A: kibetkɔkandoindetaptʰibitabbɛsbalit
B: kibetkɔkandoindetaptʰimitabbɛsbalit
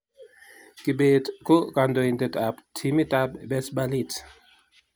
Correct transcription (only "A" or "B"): B